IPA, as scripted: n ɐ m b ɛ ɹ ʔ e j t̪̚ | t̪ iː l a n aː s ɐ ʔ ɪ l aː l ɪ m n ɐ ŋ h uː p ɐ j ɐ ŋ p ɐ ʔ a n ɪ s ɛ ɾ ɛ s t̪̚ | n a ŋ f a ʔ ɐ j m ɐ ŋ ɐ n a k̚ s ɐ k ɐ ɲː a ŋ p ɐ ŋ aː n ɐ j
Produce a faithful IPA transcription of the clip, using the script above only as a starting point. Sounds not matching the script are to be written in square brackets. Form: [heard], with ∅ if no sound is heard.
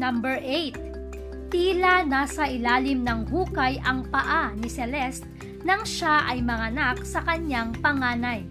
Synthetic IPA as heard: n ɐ m b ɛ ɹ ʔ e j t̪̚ | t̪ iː l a n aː s ɐ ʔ ɪ l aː l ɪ m n ɐ ŋ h uː [k] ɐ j ɐ ŋ p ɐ ʔ a n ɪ s ɛ [l] ɛ s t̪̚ | n [ɐ] ŋ [ʃ] a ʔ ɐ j m ɐ ŋ ɐ n a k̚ s ɐ k ɐ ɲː a ŋ p ɐ ŋ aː n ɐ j